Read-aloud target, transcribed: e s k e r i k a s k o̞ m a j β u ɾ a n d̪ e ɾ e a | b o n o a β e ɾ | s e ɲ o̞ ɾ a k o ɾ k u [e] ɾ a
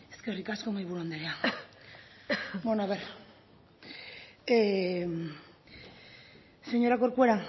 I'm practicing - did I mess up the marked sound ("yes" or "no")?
no